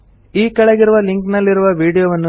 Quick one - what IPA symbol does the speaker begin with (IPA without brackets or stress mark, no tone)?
iː